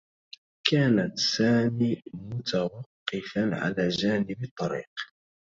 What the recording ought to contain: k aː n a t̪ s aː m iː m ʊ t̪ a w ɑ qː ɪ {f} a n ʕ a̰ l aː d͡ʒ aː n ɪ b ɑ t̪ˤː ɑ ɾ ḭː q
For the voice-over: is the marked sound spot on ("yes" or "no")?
yes